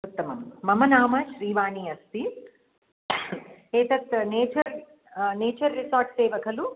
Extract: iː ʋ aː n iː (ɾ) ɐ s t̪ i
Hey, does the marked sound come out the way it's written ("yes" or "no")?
no